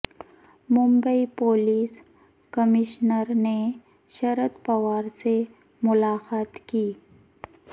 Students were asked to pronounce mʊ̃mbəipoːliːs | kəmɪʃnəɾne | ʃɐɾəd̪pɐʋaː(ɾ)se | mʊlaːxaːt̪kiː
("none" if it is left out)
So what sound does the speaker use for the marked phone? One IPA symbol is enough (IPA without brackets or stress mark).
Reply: ɾ